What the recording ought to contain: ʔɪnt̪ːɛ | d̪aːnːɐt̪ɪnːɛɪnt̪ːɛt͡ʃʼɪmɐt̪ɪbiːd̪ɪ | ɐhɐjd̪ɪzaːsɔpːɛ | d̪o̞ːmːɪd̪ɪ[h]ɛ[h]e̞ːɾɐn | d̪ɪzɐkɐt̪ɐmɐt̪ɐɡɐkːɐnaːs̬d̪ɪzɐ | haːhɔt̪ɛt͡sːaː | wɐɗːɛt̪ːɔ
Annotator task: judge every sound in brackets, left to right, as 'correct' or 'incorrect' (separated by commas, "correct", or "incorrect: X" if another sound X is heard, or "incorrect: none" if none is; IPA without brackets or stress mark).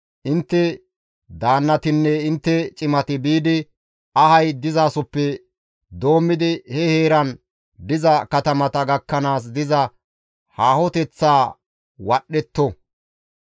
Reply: correct, correct